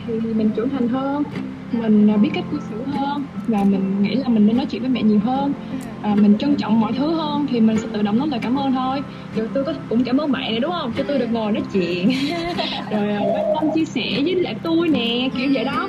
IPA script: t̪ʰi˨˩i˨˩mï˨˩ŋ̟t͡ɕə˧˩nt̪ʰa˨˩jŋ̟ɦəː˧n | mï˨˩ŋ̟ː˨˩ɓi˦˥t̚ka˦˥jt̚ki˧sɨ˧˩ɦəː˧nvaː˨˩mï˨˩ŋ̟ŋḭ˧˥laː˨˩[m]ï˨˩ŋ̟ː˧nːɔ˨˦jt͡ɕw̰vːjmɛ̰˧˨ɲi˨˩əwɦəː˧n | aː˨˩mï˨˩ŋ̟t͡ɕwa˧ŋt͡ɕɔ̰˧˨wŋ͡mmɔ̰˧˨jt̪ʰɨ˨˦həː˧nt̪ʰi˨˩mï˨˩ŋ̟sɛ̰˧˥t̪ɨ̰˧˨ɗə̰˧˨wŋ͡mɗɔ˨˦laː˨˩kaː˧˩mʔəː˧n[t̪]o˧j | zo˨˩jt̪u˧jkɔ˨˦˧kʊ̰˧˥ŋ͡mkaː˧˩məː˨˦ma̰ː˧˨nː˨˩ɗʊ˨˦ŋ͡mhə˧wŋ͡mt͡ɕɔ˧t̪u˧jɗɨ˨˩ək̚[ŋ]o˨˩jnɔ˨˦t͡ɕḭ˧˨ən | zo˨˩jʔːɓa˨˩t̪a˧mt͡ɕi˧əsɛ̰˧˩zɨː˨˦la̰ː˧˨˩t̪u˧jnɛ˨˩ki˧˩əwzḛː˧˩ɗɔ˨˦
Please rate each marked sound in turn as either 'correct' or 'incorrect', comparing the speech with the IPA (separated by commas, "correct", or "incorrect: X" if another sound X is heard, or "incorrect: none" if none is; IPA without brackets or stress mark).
correct, incorrect: t̪ʰ, correct